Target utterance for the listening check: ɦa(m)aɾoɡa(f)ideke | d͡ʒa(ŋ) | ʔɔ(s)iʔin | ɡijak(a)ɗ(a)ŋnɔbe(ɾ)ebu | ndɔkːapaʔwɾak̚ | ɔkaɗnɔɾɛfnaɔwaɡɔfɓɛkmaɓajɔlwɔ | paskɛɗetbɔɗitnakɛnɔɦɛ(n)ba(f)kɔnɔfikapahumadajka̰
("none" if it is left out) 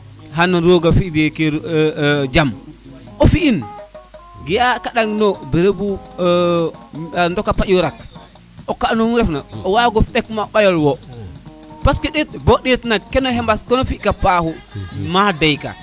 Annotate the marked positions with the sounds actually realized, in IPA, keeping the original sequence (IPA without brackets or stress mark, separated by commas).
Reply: n, f, m, f, a, a, ɾ, m, s